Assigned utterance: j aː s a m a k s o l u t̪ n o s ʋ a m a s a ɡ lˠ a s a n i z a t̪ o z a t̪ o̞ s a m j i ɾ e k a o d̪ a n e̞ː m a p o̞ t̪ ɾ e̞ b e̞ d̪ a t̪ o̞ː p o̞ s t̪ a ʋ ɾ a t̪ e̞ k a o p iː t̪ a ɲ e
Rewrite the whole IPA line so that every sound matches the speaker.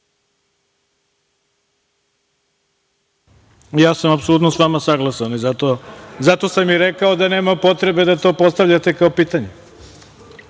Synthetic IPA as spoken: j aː s a m a p s o l u t̪ n o s ʋ a m a s a ɡ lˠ a s a n i z a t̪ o z a t̪ o̞ s a m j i ɾ e k a o d̪ a n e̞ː m a p o̞ t̪ ɾ e̞ b e̞ d̪ a t̪ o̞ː p o̞ s t̪ a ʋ ʎ a t̪ e̞ k a o p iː t̪ a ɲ e